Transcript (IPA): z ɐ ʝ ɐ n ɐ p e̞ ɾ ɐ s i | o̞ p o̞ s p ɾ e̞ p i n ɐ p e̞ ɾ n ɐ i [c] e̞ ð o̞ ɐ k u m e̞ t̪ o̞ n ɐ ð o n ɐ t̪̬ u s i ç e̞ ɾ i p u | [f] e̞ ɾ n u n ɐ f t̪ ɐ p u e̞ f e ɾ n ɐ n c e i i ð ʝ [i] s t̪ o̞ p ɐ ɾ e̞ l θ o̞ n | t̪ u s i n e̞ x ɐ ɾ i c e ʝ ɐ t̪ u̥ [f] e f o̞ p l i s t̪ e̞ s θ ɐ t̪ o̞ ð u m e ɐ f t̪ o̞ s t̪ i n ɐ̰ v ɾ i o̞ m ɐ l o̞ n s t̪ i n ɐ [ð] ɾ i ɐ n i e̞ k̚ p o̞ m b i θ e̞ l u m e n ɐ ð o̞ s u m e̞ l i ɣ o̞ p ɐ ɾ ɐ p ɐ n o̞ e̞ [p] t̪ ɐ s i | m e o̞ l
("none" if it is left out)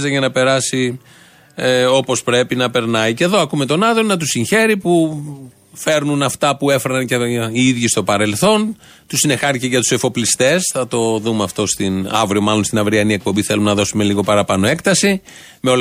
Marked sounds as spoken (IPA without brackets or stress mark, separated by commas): c, f, i, s, v, k